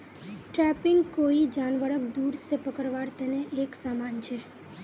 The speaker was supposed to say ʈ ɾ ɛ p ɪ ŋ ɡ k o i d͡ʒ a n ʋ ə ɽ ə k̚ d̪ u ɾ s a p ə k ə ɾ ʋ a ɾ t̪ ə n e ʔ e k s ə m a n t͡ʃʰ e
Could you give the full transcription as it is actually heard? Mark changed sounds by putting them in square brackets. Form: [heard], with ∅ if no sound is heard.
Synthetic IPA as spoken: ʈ ɾ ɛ p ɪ ŋ ɡ k o i d͡ʒ a n ʋ ə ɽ ə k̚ d̪ u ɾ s [e] p ə k ə ɾ ʋ a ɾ t̪ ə n e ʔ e k s [a] m a n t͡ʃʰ e